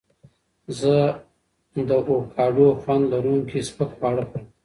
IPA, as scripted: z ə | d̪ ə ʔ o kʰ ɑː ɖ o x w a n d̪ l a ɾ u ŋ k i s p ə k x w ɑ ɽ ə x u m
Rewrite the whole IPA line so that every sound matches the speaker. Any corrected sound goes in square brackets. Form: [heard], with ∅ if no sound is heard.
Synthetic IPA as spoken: z ə | d̪ ə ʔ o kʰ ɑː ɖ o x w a n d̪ l a ɾ u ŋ k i s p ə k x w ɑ ɽ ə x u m